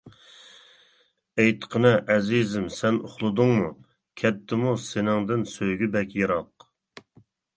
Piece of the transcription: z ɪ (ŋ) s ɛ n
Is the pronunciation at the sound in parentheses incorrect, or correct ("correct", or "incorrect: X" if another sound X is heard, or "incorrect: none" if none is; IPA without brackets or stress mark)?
incorrect: m